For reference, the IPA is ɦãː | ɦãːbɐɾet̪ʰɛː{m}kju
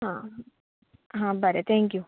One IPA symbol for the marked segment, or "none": ŋ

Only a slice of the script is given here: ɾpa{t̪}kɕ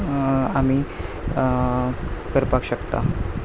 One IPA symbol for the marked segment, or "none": none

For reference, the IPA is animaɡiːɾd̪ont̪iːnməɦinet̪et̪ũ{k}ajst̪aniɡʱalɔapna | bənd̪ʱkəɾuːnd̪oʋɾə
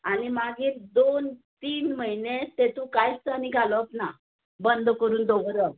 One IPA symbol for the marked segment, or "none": k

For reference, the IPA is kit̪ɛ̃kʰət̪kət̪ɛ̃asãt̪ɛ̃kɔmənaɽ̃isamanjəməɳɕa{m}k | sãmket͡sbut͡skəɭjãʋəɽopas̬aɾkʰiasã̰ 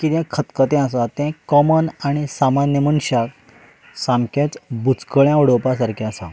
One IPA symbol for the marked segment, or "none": none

